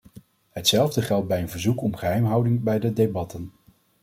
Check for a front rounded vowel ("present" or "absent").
absent